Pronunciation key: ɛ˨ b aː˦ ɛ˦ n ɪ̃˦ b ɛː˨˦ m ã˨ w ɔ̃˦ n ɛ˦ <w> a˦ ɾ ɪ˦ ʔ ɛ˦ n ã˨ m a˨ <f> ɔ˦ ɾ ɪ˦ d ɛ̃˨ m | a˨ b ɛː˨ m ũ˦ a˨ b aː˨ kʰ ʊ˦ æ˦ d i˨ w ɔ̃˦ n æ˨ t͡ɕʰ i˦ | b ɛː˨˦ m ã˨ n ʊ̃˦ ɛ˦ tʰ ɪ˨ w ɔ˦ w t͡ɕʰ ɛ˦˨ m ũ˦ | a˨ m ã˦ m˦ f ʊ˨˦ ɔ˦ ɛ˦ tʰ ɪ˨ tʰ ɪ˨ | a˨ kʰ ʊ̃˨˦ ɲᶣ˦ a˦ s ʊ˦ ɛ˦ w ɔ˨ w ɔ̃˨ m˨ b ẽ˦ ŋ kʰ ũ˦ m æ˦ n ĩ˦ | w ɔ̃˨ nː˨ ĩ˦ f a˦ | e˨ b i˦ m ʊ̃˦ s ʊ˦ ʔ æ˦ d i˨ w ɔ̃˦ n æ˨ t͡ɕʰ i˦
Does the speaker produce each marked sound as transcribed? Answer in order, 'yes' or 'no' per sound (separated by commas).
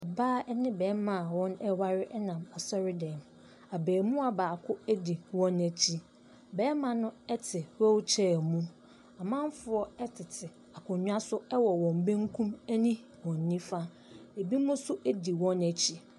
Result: yes, no